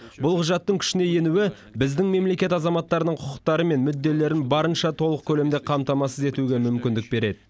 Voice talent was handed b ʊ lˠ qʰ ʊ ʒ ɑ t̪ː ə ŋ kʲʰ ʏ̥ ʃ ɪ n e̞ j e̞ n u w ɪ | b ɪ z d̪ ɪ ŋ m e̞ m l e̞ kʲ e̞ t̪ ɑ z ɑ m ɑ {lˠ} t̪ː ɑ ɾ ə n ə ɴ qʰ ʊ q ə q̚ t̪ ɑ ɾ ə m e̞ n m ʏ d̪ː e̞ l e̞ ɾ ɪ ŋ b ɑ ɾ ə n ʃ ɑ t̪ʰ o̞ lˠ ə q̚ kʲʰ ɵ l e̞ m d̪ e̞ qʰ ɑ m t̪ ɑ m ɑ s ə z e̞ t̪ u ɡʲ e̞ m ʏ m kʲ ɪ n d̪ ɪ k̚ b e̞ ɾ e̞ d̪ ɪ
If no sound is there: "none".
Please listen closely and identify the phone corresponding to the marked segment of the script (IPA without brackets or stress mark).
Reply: none